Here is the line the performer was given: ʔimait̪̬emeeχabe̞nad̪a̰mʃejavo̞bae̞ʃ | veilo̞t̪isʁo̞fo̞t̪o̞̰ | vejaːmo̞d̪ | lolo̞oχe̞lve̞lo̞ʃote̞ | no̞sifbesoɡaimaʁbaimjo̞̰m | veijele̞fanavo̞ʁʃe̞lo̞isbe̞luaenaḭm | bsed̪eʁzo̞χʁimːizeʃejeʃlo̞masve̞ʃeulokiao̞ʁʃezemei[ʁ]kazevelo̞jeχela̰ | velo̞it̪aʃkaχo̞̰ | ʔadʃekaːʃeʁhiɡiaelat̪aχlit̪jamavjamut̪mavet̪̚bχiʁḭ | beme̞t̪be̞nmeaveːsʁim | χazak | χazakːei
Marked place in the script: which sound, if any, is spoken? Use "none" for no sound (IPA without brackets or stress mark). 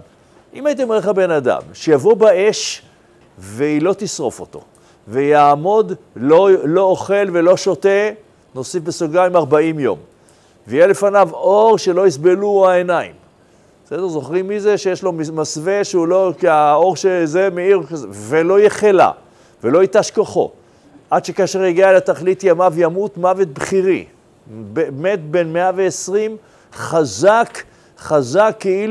ʁ